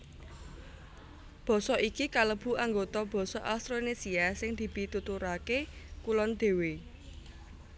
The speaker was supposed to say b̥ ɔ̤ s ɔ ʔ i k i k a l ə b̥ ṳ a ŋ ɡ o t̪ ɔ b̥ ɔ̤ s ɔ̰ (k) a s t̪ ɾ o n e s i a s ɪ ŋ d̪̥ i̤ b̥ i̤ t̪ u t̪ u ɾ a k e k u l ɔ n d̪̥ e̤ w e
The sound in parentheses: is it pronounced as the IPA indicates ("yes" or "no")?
no